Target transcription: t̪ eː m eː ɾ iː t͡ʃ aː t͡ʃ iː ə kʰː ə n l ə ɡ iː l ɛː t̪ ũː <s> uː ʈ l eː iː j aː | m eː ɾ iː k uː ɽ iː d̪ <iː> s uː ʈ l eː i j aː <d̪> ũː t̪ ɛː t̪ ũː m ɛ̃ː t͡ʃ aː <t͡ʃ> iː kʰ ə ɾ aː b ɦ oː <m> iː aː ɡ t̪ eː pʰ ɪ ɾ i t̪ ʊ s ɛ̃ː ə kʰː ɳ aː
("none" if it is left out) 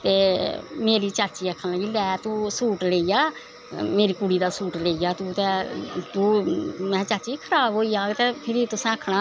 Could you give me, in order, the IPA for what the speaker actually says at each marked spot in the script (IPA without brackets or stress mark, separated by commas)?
s, aː, t̪, t͡ʃ, none